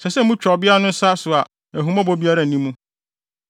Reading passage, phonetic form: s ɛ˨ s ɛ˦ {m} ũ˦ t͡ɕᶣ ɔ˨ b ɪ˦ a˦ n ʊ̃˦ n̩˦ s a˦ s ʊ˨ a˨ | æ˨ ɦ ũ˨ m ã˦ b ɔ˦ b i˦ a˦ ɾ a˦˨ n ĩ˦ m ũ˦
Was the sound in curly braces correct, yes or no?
yes